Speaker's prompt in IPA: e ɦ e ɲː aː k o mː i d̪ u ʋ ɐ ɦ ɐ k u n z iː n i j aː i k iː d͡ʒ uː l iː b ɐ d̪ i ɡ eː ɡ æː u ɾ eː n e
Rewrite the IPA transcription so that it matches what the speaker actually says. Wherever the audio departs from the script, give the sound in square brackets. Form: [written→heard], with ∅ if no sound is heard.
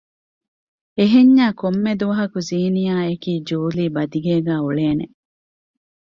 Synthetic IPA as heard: e ɦ e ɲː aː k o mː [i→e] d̪ u ʋ ɐ ɦ ɐ k u [n→∅] z iː n i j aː [i→e] k iː d͡ʒ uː l iː b ɐ d̪ i ɡ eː ɡ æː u [ɾ→ɭ] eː n e